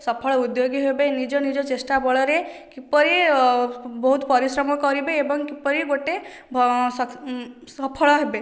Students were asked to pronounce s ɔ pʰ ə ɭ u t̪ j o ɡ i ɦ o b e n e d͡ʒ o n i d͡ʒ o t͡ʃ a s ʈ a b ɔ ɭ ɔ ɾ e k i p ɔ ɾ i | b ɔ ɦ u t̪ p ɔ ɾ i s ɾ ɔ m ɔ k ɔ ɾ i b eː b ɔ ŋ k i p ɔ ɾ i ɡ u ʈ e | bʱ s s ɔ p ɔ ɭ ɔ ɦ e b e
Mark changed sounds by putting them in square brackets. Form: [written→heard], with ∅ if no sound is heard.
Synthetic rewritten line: s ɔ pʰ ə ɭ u [t̪→d̪] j o ɡ i ɦ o b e n [e→i] d͡ʒ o n i d͡ʒ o t͡ʃ [a→e] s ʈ a b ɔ ɭ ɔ ɾ e k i p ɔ ɾ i | b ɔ ɦ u t̪ p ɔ ɾ i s ɾ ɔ m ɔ k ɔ ɾ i b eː b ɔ ŋ k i p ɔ ɾ i ɡ [u→o] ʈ e | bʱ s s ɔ [p→pʰ] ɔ ɭ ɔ ɦ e b e